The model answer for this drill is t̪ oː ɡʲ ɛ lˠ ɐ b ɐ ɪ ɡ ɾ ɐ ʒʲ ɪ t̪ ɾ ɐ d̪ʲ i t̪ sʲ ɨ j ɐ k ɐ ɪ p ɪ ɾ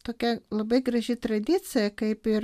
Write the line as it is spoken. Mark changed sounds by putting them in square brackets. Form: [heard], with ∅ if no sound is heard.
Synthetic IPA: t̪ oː [kʲ] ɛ lˠ ɐ b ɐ ɪ ɡ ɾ ɐ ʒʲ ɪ t̪ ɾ ɐ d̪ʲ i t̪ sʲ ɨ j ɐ k ɐ ɪ p ɪ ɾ